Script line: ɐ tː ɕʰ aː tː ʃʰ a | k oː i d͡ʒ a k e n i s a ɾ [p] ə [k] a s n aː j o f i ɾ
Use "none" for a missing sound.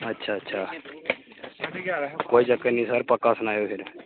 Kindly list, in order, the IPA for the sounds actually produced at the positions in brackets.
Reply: p, k

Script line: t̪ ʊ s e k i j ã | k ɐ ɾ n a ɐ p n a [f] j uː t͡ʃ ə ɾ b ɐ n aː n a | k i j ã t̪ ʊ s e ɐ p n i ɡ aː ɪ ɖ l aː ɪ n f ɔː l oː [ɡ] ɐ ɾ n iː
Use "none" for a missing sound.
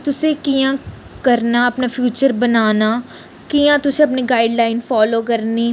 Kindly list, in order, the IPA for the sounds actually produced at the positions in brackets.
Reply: f, k

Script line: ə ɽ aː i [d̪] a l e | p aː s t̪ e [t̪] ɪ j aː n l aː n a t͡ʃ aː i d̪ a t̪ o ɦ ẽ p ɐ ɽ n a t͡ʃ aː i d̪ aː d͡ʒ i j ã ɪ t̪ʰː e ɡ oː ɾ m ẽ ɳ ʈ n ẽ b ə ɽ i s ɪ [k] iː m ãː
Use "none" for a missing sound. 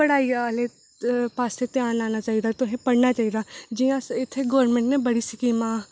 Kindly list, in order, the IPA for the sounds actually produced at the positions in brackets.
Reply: none, t̪, k

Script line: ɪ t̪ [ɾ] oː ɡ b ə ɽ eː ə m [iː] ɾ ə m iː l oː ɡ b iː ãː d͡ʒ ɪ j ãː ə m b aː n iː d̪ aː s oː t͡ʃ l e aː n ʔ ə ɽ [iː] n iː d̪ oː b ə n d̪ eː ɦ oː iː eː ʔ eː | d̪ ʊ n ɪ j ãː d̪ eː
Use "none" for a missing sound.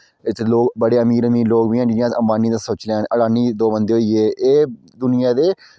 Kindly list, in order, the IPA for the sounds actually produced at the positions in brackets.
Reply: l, iː, aː

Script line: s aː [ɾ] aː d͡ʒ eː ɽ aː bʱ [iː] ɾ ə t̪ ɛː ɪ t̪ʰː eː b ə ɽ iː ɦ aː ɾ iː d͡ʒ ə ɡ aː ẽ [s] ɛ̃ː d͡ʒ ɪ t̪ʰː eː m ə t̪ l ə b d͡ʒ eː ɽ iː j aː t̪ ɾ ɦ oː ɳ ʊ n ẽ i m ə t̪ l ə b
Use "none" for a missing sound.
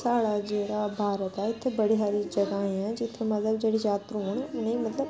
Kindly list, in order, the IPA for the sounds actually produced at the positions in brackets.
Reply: ɽ, aː, none

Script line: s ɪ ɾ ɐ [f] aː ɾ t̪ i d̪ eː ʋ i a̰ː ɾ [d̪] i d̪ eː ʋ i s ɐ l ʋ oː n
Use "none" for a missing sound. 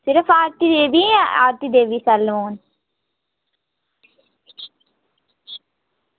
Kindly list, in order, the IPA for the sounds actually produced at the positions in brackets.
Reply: f, t̪

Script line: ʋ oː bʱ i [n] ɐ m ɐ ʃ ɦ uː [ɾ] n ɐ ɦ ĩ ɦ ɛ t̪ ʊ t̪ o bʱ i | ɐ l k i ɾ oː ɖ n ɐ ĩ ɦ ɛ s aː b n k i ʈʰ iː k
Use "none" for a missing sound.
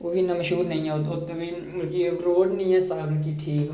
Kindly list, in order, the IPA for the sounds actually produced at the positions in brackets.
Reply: n, ɾ

